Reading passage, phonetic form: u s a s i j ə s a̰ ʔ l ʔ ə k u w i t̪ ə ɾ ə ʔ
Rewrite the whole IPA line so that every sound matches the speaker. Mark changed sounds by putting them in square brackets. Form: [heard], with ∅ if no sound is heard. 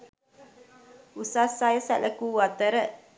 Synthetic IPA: u s a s [a] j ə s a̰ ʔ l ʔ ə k u w [a] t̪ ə ɾ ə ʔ